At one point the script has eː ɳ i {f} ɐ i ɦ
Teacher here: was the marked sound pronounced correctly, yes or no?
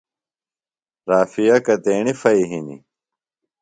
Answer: yes